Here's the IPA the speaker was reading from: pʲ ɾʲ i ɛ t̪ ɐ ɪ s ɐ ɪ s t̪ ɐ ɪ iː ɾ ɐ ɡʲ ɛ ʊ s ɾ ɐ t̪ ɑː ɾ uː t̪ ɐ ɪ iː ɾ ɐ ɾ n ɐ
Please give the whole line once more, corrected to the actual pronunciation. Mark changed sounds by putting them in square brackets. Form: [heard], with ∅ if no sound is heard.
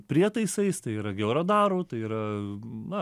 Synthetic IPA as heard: pʲ ɾʲ i ɛ t̪ ɐ ɪ s ɐ ɪ s t̪ ɐ ɪ iː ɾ ɐ ɡʲ ɛ ʊ [∅] ɾ ɐ [d̪] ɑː ɾ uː t̪ ɐ ɪ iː ɾ ɐ [∅] n ɐ